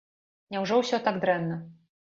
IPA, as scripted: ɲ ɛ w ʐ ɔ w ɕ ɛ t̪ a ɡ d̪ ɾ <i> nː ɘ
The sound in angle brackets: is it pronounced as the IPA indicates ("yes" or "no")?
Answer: no